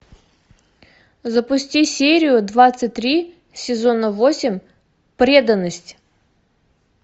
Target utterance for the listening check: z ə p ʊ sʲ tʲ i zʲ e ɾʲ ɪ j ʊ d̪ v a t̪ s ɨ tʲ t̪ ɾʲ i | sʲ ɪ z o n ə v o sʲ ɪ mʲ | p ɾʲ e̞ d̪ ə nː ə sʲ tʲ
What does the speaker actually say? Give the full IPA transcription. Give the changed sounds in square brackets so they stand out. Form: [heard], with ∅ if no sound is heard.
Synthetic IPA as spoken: z ə p ʊ sʲ tʲ i [sʲ] e ɾʲ ɪ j ʊ d̪ v a t̪ s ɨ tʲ t̪ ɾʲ i | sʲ ɪ z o n ə v o sʲ ɪ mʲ | p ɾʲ e̞ d̪ ə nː ə sʲ tʲ